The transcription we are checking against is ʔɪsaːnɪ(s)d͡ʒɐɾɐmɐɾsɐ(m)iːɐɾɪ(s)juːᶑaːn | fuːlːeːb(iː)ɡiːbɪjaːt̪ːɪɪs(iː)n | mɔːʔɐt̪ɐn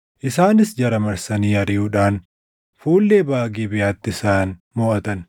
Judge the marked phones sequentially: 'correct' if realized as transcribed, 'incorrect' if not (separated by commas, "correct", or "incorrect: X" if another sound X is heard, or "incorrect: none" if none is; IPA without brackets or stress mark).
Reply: correct, incorrect: n, incorrect: none, incorrect: aː, incorrect: aː